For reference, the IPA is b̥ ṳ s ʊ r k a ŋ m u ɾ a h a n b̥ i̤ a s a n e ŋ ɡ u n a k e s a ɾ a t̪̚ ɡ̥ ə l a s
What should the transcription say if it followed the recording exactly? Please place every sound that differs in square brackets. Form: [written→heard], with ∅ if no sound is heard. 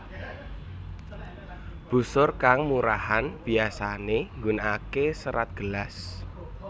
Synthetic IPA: b̥ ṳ s ʊ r k a ŋ m u ɾ a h a n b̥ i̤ a s a n e ŋ ɡ u n a k e s [a→ə] ɾ a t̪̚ ɡ̥ ə l a s